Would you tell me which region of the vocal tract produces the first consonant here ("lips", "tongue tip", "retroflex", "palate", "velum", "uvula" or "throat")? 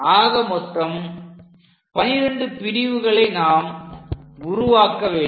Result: velum